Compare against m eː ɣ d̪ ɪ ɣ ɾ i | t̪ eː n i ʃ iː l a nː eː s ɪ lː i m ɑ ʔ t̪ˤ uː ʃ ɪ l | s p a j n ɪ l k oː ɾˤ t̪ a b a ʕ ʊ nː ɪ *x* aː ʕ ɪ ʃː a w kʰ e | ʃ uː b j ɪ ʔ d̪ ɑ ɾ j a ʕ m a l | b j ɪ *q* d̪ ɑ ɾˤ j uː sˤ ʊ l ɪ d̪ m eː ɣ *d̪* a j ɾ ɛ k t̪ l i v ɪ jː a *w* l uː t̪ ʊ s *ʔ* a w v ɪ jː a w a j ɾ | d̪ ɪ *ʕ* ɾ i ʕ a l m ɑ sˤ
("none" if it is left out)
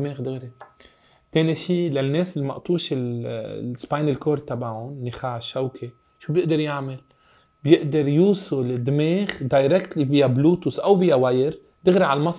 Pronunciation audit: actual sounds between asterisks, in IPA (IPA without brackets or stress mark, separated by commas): x, ʔ, d̪, b, ʔ, ɣ